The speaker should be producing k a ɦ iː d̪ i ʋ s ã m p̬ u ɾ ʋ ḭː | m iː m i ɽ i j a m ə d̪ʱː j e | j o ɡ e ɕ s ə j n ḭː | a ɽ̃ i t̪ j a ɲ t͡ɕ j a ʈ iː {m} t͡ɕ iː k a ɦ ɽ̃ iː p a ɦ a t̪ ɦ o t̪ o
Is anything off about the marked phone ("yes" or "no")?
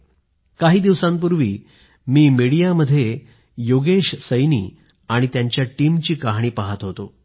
no